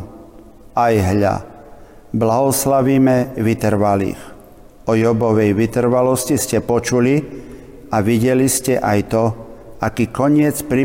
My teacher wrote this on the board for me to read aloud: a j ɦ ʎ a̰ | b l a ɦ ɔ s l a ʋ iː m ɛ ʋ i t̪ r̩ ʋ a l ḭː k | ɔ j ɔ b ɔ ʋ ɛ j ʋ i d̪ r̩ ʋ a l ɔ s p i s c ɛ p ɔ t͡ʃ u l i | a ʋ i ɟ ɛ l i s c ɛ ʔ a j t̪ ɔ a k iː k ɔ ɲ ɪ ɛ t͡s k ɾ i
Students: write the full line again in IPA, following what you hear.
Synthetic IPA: a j ɦ ʎ a̰ | b l a ɦ ɔ s l a ʋ iː m ɛ ʋ i t̪ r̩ ʋ a l ḭː x | ɔ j ɔ b ɔ ʋ ɛ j ʋ i t̪ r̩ ʋ a l ɔ s c i s c ɛ p ɔ t͡ʃ u l i | a ʋ i ɟ ɛ l i s c ɛ ʔ a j t̪ ɔ a k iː k ɔ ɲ ɪ ɛ t͡s p ɾ i